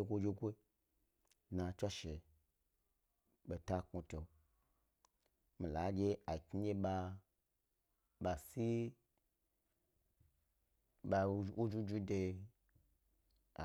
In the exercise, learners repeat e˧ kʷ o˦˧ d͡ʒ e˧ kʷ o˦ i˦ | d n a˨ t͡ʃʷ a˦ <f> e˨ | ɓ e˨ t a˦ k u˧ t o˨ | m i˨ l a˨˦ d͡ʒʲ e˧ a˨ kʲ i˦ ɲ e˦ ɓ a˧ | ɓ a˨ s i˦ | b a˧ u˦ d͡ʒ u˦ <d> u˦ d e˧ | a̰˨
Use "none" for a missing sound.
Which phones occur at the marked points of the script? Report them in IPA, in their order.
ʃ, d͡ʒ

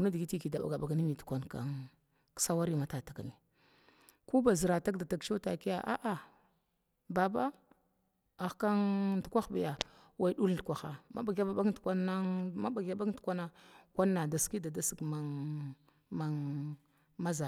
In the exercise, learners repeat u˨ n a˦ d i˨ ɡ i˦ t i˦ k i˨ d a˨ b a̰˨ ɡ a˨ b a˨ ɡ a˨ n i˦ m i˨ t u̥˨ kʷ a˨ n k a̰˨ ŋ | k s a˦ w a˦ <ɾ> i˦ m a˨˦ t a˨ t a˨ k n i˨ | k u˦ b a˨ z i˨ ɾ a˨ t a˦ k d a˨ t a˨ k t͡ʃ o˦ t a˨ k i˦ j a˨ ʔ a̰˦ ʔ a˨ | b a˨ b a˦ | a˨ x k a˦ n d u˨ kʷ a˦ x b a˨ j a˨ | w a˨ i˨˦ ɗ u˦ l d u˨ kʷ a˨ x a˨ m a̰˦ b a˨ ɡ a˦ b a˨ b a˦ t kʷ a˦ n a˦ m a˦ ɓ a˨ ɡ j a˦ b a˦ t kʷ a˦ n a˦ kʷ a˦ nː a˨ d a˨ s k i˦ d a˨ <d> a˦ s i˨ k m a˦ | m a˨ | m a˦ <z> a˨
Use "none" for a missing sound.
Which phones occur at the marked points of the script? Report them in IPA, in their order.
ɾ, d, z

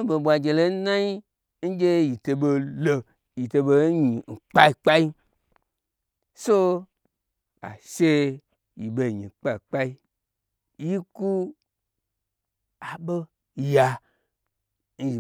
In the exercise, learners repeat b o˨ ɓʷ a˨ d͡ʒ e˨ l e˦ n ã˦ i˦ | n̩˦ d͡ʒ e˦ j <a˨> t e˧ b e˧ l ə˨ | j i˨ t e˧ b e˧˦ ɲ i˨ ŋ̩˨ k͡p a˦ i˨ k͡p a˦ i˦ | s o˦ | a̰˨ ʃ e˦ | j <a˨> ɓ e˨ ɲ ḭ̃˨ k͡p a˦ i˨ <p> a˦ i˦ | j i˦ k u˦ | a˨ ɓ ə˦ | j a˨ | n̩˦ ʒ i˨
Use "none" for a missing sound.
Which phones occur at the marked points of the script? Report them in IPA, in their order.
i˨, i˨, k͡p

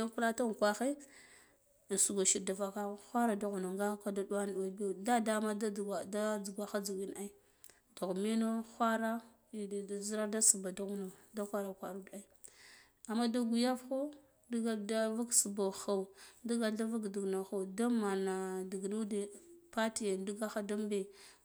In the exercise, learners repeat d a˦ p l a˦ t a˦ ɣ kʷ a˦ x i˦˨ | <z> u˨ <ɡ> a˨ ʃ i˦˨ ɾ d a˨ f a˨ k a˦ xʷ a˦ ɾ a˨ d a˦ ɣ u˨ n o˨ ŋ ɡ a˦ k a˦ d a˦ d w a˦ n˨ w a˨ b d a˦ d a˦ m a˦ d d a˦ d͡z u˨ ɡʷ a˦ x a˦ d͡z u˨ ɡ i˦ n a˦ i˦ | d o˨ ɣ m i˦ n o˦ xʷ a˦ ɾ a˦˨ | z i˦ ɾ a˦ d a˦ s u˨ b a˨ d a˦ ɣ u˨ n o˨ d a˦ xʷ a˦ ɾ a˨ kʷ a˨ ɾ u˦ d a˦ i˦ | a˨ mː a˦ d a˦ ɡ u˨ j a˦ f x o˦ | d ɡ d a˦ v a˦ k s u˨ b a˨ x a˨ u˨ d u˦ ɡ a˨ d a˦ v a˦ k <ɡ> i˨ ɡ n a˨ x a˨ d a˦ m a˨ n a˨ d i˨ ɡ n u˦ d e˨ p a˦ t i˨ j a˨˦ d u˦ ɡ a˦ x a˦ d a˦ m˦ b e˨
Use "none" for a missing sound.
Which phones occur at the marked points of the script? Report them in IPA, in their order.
s, ɡ, d

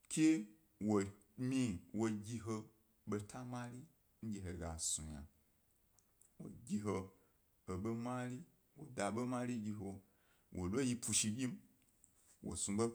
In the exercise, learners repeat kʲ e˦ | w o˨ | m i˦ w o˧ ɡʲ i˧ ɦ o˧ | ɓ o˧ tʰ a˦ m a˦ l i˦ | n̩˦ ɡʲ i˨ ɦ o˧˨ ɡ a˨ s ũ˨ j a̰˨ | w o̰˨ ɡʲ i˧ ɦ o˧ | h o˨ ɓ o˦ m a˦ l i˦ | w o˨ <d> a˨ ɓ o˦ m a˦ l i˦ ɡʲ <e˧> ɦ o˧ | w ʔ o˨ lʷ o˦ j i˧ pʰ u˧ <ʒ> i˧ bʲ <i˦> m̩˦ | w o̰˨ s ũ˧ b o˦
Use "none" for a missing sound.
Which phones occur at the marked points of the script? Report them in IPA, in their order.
d, i˧, ʃ, i˦

